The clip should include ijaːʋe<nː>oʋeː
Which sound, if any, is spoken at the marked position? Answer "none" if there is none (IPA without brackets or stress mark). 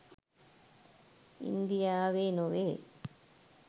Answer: n